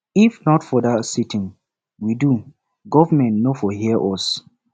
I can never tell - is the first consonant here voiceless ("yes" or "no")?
yes